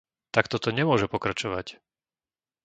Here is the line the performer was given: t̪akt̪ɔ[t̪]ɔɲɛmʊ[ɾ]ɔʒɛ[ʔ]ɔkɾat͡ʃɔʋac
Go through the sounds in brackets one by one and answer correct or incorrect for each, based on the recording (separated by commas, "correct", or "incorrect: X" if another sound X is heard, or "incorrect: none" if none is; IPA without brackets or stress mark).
correct, incorrect: none, incorrect: p